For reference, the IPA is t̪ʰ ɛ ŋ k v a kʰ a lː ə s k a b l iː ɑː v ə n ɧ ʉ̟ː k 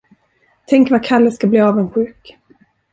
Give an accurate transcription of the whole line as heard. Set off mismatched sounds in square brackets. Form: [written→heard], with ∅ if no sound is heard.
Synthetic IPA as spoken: t̪ʰ ɛ ŋ k v a kʰ a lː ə s k a b l iː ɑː v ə n ɧ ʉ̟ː k

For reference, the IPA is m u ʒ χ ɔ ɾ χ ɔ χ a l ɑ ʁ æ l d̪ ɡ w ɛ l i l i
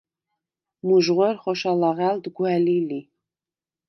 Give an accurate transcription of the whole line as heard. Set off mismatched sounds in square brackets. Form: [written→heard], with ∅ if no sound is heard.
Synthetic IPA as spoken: m u ʒ [χ→ʁ] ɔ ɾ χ ɔ [χ→ʃ] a l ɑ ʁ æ l d̪ ɡ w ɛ l i l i

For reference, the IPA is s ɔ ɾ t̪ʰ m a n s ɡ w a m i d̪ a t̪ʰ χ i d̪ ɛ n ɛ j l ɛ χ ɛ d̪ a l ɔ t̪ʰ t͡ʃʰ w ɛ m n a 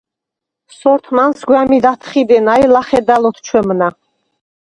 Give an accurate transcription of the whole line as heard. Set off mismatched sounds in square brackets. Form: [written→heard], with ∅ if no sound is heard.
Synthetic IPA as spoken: s ɔ ɾ t̪ʰ m a n s ɡ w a m i d̪ a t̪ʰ χ i d̪ ɛ n [ɛ→a] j l [ɛ→a] χ ɛ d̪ a l ɔ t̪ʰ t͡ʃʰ w ɛ m n a

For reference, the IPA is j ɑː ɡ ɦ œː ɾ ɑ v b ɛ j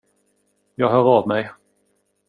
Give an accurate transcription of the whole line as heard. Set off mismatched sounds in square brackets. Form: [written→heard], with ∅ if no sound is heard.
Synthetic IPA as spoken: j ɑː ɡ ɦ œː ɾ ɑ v [b→m] ɛ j

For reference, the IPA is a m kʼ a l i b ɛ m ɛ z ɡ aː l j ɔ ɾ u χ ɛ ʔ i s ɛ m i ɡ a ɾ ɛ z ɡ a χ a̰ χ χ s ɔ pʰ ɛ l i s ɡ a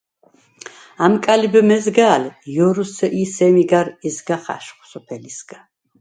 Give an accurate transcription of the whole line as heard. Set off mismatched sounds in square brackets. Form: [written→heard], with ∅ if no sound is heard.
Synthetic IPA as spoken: a m kʼ a l i b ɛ m ɛ z ɡ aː l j ɔ ɾ u [χ→s] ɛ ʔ i s ɛ m i ɡ a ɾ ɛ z ɡ a χ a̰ [χ→ʃ] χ s ɔ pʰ ɛ l i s ɡ a

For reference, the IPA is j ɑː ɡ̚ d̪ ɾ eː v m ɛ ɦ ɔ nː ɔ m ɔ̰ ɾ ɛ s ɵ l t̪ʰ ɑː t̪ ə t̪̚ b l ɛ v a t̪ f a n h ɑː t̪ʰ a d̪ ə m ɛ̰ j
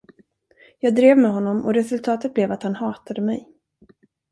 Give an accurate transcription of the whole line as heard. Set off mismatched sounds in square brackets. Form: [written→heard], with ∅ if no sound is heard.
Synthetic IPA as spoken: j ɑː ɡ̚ d̪ ɾ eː v m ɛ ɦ ɔ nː ɔ m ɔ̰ ɾ ɛ s ɵ l t̪ʰ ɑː t̪ ə t̪̚ b l ɛ v a t̪ [f→h] a n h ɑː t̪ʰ a d̪ ə m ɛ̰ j

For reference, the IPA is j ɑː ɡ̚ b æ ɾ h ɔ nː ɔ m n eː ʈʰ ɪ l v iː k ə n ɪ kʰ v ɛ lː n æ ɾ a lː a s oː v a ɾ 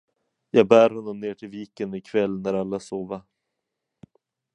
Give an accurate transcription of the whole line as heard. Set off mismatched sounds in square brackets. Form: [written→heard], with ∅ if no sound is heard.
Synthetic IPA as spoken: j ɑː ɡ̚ b [æ→æː] ɾ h ɔ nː ɔ m n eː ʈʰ ɪ l v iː k ə n ɪ kʰ v ɛ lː n æ ɾ a lː a s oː v a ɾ

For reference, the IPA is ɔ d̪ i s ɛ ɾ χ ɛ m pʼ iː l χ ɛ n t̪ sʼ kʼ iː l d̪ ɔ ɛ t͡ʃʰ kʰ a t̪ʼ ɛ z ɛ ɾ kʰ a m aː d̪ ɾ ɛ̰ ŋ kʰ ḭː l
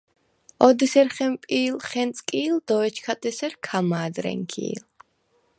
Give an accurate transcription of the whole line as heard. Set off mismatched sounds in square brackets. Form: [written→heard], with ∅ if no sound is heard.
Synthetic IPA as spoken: ɔ d̪ i s ɛ ɾ χ ɛ m pʼ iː l χ ɛ n t̪ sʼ kʼ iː l d̪ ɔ ɛ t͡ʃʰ kʰ a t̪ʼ ɛ [z→s] ɛ ɾ kʰ a m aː d̪ ɾ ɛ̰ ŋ kʰ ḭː l

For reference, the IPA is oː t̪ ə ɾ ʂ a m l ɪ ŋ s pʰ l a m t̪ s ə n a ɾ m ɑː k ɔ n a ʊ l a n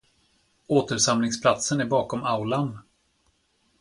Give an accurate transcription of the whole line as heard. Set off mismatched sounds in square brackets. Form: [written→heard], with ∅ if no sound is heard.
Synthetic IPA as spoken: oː t̪ ə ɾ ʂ a m l ɪ ŋ s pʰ l a [m→∅] t̪ s ə n [a→æ] ɾ [m→b] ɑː k ɔ [n→m] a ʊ l a n

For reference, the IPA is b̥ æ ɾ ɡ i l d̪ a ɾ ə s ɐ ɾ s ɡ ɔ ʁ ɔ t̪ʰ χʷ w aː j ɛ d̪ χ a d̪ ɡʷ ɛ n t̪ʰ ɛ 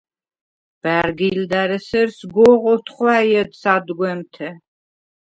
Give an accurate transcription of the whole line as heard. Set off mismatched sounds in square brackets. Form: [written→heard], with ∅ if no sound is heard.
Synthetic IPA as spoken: b̥ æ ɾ ɡ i l d̪ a ɾ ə s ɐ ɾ s ɡ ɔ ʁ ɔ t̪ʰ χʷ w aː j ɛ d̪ [χ→s] a d̪ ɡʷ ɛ [n→m] t̪ʰ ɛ

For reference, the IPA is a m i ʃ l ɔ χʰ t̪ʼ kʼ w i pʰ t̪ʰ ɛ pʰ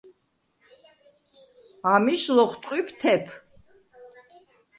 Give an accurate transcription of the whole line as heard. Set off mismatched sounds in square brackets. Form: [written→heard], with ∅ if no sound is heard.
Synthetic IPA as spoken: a m i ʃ l ɔ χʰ t̪ʼ [kʼ→qʼ] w i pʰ t̪ʰ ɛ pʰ

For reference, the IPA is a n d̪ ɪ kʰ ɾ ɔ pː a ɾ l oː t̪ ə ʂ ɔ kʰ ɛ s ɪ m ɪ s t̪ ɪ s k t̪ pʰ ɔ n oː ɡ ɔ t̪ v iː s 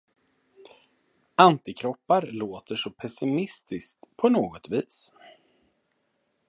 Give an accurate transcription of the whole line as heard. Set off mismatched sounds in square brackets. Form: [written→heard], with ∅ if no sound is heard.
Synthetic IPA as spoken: a n [d̪→t̪] ɪ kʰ ɾ ɔ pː a ɾ l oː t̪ ə ʂ ɔ [kʰ→pʰ] ɛ s ɪ m ɪ s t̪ ɪ s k t̪ pʰ ɔ n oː ɡ ɔ t̪ v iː s

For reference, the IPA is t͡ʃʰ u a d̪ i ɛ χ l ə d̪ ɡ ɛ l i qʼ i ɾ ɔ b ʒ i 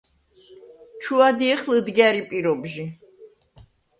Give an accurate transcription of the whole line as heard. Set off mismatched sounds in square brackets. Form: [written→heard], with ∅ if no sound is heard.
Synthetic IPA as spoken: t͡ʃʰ u a d̪ i ɛ χ l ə d̪ ɡ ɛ [l→ɾ] i [qʼ→pʼ] i ɾ ɔ b ʒ i

